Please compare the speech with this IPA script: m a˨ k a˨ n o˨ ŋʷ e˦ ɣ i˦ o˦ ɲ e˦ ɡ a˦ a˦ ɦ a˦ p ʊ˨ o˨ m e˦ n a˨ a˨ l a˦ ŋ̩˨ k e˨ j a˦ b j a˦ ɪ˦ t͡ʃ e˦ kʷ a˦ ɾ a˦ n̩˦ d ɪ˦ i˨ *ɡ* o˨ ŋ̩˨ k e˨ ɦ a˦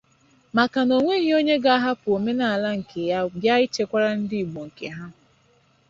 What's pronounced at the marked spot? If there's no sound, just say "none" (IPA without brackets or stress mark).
ɡ͡b